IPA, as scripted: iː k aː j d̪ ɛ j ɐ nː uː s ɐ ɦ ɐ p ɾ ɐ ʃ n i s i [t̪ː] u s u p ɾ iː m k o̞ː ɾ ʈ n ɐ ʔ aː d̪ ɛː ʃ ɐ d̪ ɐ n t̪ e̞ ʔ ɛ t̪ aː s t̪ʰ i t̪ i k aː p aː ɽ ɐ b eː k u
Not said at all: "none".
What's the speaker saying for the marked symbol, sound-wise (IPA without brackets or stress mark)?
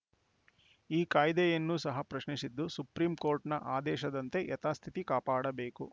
d̪ː